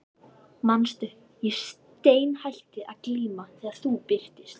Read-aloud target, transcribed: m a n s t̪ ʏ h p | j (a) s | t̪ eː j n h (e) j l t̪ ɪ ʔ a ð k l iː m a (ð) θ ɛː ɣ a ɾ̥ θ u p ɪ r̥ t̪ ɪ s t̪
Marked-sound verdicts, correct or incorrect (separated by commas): incorrect, incorrect, incorrect